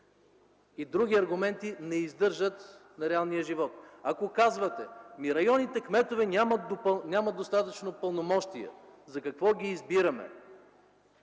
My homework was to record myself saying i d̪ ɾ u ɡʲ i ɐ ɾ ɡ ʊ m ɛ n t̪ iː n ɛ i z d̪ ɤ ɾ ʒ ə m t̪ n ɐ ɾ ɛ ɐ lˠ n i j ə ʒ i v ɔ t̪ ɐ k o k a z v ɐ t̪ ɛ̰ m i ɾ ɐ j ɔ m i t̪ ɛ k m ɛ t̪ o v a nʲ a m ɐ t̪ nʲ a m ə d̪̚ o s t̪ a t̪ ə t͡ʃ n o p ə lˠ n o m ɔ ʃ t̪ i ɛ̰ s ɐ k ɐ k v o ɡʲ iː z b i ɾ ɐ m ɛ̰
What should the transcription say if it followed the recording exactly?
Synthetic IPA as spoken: i d̪ ɾ u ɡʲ i ɐ ɾ ɡ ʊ m ɛ n t̪ i n ɛ i z d̪ ɤ ɾ ʒ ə t̪ n ɐ ɾ ɛ a lˠ n i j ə ʒ i v ɔ t̪ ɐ k o k a z v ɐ t̪ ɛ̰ m i ɾ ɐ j ɔ n i t̪ ɛ k m ɛ t̪ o v ɛ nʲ a m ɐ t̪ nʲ a m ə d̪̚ o s t̪ a t̪ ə t͡ʃ n o p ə lˠ n o m ɔ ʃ t̪ i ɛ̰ z ɐ k ɐ k v ɔ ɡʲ iː z b i ɾ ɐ m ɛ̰